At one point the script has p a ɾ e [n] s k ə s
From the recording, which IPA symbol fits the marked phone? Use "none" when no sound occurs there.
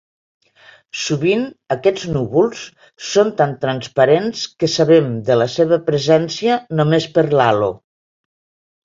n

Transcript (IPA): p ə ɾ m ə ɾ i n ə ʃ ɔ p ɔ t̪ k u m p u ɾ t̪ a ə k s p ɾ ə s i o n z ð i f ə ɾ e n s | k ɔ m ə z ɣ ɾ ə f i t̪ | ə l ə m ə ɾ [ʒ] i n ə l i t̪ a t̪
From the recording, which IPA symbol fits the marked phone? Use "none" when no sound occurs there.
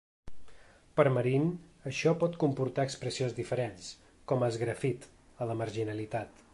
ʒ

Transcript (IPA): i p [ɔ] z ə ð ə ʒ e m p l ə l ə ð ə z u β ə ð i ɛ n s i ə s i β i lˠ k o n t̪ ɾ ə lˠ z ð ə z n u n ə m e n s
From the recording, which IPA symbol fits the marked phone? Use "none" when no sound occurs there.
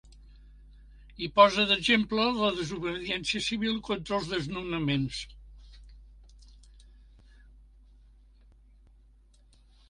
ɔ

